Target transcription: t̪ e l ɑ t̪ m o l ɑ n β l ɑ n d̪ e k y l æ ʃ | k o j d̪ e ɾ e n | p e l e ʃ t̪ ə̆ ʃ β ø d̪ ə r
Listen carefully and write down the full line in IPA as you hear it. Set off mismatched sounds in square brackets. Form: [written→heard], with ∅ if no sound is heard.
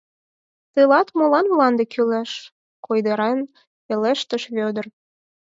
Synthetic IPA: t̪ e l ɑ t̪ m o l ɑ n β l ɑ n d̪ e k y l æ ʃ | k o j d̪ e ɾ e n | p e l e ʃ t̪ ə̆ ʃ β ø d̪ ə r